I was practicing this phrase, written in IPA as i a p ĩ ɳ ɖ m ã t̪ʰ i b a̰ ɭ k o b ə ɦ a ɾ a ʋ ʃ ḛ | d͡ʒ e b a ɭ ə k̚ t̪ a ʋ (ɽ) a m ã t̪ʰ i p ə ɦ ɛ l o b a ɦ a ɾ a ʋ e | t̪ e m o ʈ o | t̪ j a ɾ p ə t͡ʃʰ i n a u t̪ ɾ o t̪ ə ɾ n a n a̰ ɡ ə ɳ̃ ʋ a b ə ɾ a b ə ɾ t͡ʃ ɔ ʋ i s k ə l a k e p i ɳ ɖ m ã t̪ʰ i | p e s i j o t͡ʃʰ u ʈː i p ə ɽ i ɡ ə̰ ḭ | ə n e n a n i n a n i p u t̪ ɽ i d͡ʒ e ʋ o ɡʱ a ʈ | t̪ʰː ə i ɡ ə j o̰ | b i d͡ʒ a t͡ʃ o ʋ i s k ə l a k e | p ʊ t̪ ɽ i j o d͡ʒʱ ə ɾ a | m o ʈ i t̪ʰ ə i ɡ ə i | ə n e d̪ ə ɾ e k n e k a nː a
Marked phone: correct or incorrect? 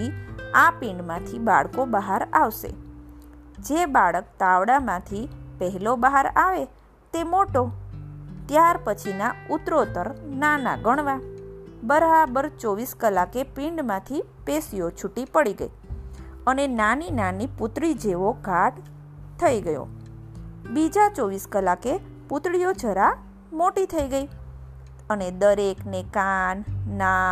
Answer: correct